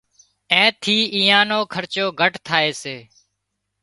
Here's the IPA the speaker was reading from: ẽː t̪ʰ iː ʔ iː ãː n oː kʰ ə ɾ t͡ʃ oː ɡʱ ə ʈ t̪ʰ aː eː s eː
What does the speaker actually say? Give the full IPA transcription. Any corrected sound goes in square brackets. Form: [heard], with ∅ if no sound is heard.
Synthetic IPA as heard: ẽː t̪ʰ iː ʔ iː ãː n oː kʰ ə ɾ t͡ʃ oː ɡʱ ə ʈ t̪ʰ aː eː s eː